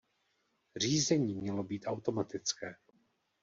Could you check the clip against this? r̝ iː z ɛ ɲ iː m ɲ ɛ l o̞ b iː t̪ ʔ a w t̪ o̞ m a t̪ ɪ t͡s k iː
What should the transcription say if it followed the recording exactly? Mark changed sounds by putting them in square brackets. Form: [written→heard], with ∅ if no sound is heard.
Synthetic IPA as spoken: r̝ iː z ɛ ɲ iː m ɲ ɛ l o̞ b iː t̪ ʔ a w t̪ o̞ m a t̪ ɪ t͡s k [iː→ɛː]